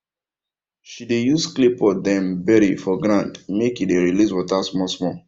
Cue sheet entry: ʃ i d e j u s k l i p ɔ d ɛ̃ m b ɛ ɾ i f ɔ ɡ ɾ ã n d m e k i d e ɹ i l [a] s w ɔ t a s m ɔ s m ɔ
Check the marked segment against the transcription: incorrect: i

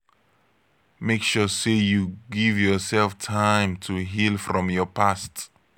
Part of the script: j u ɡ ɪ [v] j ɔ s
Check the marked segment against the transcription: correct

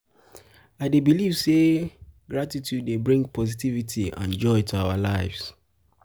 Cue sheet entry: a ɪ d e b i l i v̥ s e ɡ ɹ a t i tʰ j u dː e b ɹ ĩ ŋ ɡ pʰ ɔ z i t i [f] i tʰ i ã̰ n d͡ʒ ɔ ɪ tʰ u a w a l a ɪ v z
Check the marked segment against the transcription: incorrect: v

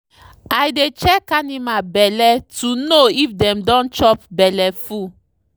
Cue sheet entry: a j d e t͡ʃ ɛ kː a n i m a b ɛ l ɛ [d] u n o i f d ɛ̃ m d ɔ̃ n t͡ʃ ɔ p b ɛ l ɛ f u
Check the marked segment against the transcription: incorrect: t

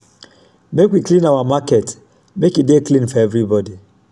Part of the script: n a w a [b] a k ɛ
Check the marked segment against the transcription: incorrect: m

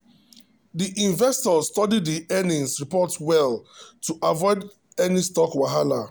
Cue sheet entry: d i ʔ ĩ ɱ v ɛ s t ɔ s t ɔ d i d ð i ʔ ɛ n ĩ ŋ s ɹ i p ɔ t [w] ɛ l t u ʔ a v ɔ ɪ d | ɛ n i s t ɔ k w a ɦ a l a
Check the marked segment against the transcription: correct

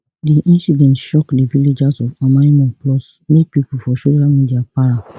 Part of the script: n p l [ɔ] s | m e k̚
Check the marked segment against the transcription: correct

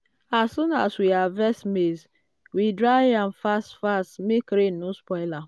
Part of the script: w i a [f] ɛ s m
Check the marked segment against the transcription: incorrect: v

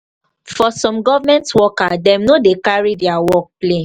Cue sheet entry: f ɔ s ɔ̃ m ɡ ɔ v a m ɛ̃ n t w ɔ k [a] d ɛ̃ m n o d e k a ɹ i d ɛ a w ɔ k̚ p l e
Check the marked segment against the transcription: correct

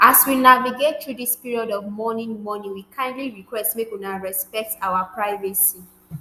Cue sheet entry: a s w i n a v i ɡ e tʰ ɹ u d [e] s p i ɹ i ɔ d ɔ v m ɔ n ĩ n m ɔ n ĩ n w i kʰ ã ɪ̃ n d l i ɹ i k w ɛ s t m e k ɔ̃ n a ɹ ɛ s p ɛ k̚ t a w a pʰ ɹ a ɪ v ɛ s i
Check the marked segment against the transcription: incorrect: i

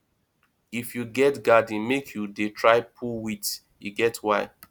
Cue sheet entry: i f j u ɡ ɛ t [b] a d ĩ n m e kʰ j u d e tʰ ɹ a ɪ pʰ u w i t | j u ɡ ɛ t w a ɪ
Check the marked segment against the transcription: incorrect: ɡ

